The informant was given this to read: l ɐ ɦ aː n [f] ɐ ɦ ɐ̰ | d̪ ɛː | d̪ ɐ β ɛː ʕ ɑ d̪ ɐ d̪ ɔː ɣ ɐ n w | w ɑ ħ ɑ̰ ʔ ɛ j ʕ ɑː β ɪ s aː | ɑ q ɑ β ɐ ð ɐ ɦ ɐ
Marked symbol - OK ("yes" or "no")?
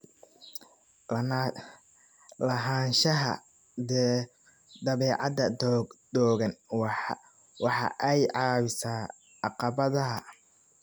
no